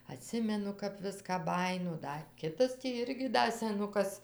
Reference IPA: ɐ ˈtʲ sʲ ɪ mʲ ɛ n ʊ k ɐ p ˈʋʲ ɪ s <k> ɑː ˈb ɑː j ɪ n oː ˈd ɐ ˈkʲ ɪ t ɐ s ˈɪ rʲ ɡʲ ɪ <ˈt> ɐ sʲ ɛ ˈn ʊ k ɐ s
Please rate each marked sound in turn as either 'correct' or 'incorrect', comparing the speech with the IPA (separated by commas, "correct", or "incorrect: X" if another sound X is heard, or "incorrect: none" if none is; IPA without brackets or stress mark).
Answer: correct, incorrect: d